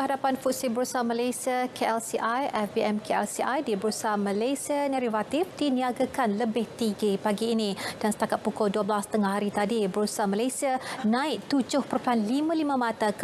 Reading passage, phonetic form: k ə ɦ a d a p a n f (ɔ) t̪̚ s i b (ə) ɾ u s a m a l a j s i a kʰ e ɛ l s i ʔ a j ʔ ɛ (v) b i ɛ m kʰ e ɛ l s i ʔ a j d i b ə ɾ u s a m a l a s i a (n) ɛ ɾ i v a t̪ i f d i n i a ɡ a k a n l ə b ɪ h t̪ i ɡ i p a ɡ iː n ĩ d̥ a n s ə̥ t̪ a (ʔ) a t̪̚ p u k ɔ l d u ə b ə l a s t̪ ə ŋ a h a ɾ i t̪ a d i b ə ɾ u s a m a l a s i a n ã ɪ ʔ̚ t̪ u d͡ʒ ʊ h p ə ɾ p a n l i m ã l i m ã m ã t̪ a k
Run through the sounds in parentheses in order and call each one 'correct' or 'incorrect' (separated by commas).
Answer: incorrect, correct, incorrect, correct, incorrect